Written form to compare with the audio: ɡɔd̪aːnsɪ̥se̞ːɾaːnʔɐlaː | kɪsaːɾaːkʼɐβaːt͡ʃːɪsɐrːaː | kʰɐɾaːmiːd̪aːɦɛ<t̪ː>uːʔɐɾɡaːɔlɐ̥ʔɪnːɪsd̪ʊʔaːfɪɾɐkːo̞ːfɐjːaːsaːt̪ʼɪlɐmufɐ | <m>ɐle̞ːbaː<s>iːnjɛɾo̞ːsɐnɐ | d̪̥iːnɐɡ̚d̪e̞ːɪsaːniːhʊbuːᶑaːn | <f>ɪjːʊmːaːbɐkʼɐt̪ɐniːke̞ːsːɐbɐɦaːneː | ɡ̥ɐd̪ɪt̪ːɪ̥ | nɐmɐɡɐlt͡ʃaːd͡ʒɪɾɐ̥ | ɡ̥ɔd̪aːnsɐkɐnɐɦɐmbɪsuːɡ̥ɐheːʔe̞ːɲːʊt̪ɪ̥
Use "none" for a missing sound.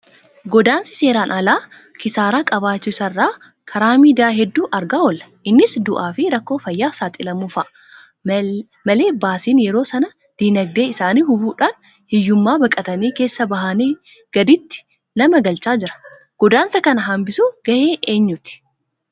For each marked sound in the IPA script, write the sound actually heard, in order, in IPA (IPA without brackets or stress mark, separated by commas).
d̪ː, m, s, h